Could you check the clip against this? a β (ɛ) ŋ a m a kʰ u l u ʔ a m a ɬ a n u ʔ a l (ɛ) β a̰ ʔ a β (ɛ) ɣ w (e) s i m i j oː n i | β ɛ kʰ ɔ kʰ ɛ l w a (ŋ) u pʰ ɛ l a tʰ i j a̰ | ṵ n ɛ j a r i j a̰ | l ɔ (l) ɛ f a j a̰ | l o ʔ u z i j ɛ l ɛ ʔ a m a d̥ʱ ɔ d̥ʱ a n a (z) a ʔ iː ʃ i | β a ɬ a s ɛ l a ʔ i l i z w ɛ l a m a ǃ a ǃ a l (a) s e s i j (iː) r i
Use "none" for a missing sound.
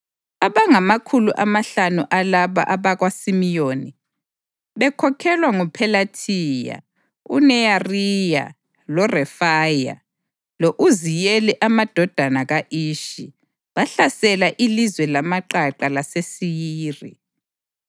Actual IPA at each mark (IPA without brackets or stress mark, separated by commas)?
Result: a, a, a, a, ŋ, r, ɣ, a, iː